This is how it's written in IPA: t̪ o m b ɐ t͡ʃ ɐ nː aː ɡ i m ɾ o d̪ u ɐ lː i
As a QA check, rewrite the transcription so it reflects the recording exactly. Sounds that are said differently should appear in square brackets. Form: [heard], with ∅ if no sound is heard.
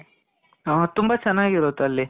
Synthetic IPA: t̪ [u] m b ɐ t͡ʃ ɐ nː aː ɡ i [∅] ɾ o [t̪] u ɐ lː i